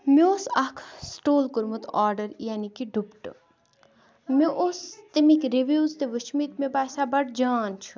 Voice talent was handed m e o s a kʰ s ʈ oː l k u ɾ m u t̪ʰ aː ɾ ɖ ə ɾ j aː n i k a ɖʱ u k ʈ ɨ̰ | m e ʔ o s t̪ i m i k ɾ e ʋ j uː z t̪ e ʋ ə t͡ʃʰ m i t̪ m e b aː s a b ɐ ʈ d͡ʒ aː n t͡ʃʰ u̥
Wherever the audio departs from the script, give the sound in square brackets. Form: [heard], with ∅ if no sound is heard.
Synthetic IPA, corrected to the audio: m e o s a kʰ s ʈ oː l k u ɾ m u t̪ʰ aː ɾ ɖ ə ɾ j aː n i k [i] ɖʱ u [p] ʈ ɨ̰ | m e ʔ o s t̪ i m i k ɾ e ʋ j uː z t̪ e ʋ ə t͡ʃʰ m i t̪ m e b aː s a b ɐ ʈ d͡ʒ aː n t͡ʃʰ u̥